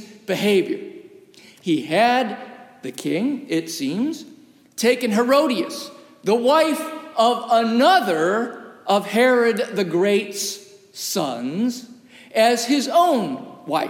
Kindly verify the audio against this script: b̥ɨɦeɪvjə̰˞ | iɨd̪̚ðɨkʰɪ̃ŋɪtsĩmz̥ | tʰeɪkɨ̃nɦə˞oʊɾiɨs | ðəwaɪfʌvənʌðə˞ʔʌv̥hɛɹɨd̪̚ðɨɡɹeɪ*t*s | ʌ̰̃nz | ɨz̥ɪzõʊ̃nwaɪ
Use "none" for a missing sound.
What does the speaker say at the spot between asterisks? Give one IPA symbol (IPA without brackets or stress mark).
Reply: t